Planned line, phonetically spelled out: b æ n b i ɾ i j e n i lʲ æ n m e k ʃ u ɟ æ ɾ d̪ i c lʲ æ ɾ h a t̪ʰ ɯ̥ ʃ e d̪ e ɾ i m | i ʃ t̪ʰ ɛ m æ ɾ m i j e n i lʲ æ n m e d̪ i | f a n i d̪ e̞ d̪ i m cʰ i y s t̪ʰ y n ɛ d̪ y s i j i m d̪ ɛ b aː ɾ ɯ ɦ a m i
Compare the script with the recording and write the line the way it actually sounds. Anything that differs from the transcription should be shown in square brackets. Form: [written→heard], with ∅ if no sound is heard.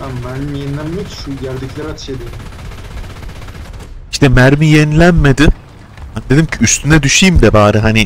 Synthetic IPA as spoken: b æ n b [i→æ] ɾ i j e n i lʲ æ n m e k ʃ u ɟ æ ɾ d̪ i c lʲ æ ɾ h a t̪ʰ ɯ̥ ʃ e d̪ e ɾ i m | i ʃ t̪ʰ ɛ m æ ɾ m i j e n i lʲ æ n m e d̪ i | [f→h] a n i d̪ e̞ d̪ i m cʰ i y s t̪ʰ y n ɛ d̪ y [s→ʃ] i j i m d̪ ɛ b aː ɾ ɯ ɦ a [m→n] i